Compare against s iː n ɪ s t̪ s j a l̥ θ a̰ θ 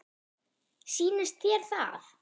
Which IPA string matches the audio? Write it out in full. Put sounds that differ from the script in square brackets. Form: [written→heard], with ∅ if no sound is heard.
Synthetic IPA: s iː n ɪ s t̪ [s→θ] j [a→ɛ] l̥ θ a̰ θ

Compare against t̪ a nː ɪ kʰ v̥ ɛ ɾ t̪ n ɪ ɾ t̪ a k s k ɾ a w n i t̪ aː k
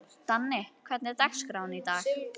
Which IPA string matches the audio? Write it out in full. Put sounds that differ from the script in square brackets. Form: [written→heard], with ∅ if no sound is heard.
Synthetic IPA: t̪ a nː ɪ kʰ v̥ ɛ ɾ t̪ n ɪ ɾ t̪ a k s k ɾ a w n i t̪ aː [k→x]

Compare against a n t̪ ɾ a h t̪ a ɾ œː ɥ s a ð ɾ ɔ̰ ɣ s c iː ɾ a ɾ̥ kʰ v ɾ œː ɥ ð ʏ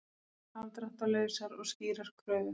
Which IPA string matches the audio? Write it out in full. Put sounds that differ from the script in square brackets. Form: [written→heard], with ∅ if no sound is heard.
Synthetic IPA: a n t̪ ɾ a h t̪ a [ɾ→l] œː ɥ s a [ð→∅] ɾ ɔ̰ ɣ s c iː ɾ a ɾ̥ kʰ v ɾ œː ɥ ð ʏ

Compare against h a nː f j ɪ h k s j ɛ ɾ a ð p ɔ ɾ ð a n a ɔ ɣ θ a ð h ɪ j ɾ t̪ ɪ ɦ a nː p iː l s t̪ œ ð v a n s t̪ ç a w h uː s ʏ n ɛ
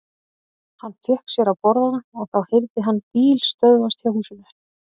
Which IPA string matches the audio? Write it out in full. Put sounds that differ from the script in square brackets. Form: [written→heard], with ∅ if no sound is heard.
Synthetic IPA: h a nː f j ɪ h k s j ɛ ɾ a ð p ɔ ɾ ð a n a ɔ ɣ θ a ð h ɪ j ɾ t̪ ɪ ɦ a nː p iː l s t̪ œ ð v a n s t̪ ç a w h uː s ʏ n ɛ

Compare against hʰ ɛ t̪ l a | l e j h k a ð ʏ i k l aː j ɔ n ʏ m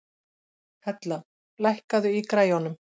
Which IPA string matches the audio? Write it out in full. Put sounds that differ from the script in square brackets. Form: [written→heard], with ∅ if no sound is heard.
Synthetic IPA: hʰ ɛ t̪ l a | l [e→a] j h k a ð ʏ i k [l→ɾ] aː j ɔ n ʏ m

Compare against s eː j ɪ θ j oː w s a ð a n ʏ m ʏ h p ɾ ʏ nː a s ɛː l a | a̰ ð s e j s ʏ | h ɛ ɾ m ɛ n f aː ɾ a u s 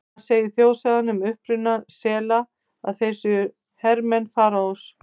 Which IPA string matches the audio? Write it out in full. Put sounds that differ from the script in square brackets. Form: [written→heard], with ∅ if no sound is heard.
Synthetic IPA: s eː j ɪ θ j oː w s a ð a n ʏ m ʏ h p ɾ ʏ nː a s ɛː l a | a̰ ð [s→θ] e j s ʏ | h ɛ ɾ m ɛ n f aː ɾ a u s

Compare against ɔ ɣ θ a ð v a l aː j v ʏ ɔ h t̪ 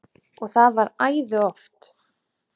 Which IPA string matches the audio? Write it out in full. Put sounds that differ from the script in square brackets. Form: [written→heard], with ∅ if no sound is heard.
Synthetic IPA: ɔ ɣ θ a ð v a [l→ɾ] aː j [v→ð] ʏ ɔ [h→f] t̪

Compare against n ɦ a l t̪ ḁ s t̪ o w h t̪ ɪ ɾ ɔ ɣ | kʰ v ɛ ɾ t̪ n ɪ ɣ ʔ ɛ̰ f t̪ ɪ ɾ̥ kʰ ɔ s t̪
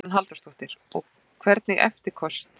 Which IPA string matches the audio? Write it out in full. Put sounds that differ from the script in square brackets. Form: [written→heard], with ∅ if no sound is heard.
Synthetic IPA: n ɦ a l t̪ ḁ s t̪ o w h t̪ ɪ ɾ ɔ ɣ | kʰ v ɛ ɾ t̪ n ɪ ɣ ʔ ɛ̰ f t̪ ɪ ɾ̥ kʰ ɔ s t̪

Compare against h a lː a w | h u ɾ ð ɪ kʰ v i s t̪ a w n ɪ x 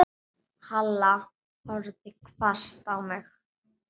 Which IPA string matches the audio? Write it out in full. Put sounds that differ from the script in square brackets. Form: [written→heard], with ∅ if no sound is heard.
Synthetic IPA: h a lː a [w→∅] | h [u→ɔ] ɾ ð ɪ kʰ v [i→a] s t̪ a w [n→m] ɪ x

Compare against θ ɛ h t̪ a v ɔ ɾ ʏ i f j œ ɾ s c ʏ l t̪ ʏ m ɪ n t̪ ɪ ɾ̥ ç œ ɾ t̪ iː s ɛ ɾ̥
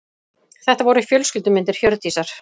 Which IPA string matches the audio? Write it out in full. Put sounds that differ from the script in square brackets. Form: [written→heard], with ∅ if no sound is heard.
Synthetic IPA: θ ɛ h t̪ a v ɔ ɾ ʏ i f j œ [ɾ→l] s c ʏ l t̪ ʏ m ɪ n t̪ ɪ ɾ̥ ç œ ɾ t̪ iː s [ɛ→a] ɾ̥

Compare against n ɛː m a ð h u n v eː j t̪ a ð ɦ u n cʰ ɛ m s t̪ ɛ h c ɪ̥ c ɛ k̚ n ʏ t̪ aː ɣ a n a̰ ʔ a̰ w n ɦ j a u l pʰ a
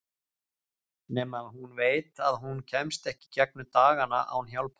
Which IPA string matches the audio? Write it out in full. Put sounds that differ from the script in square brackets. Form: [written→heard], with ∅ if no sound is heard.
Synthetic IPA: n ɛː m a ð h u n v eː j t̪ a ð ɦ u n cʰ ɛ m s t̪ ɛ h c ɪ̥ c ɛ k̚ n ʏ t̪ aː ɣ a n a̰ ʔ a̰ w n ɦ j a [u→w] l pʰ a

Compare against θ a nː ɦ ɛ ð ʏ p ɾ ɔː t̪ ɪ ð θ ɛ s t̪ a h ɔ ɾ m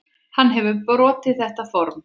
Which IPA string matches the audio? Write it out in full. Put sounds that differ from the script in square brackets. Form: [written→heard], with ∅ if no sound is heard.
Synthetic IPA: [θ→h] a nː ɦ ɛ [ð→v] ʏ p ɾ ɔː t̪ ɪ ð θ ɛ [s→h] t̪ a [h→f] ɔ ɾ m

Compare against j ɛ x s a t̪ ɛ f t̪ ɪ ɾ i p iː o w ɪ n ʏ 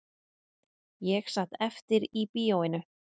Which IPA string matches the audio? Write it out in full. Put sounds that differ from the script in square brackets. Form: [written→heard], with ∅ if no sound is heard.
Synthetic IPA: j ɛ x s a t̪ ɛ f t̪ ɪ ɾ i p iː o w ɪ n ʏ

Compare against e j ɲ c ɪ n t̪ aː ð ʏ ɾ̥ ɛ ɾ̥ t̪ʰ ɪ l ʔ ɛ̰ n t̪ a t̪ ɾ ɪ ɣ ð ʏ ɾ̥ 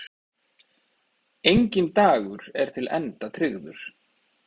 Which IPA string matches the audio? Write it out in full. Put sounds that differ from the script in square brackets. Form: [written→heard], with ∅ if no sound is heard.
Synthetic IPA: e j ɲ c ɪ n t̪ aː [ð→ɣ] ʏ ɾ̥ ɛ ɾ̥ t̪ʰ ɪ l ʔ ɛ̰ n t̪ a [t̪→t̪ʰ] ɾ ɪ ɣ ð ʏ ɾ̥

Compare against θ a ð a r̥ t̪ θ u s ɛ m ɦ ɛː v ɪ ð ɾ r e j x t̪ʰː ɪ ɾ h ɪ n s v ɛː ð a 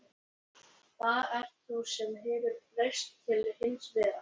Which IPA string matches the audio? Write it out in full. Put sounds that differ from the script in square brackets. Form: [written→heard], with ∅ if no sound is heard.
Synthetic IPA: θ a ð [a→ɛ] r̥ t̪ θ u s ɛ m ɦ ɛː v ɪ [ð→∅] ɾ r e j [x→s] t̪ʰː ɪ [ɾ→l] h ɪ n s v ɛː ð a

